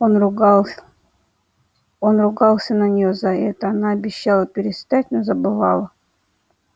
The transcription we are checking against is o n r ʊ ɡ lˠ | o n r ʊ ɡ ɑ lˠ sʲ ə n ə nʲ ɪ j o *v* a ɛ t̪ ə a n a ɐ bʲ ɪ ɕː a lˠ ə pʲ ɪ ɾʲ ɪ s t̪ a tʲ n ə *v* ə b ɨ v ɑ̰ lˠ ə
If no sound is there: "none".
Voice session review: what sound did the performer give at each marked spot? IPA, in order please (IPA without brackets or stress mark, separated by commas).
z, z